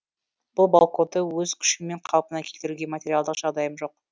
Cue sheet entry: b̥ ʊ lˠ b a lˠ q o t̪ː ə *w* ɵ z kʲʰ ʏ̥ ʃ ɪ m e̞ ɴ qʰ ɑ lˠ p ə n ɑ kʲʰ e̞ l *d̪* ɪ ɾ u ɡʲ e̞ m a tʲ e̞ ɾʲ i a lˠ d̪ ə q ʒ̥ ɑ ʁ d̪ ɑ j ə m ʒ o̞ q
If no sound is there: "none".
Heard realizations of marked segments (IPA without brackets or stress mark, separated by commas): w, t̪